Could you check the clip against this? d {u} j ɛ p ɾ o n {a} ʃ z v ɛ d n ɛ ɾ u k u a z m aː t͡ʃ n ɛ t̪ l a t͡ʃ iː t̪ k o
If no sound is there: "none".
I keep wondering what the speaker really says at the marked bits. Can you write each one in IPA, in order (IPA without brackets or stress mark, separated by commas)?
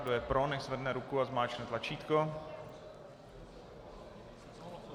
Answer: o, ɛ